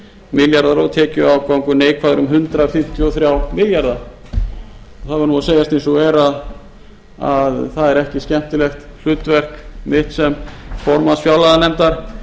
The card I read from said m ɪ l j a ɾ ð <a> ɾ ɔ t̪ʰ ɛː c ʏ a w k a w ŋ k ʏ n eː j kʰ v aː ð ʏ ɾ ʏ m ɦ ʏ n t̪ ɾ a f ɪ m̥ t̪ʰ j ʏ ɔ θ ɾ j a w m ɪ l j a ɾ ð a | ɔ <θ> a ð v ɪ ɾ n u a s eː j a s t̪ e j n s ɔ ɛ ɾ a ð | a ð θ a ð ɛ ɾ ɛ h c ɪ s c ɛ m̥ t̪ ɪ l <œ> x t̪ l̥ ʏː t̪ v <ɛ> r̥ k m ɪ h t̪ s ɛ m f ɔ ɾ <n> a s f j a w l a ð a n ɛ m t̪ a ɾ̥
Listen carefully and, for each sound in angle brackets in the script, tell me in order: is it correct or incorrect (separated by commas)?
correct, correct, incorrect, correct, incorrect